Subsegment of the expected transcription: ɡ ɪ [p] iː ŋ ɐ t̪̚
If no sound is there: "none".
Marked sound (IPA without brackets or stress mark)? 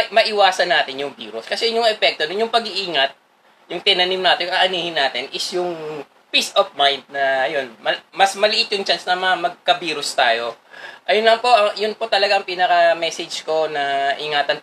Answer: ʔ